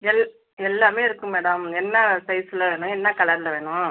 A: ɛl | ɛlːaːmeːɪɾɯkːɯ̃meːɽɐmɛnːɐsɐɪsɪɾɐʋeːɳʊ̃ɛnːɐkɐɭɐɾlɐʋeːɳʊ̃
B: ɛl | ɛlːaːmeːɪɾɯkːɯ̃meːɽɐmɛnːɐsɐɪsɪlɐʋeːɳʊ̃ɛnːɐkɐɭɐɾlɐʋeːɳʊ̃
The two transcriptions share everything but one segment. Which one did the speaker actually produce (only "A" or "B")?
B